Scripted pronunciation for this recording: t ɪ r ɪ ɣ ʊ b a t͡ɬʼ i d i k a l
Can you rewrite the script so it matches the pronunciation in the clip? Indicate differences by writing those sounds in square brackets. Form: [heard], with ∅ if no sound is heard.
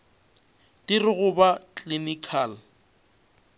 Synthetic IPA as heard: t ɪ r ɪ ɣ ʊ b a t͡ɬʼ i [n] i [kʰ] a l